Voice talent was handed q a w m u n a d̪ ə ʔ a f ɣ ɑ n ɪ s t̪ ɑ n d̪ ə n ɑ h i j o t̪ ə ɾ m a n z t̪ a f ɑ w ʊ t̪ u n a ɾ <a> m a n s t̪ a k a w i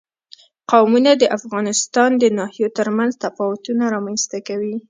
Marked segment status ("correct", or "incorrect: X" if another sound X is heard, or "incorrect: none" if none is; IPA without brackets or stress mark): incorrect: ɑ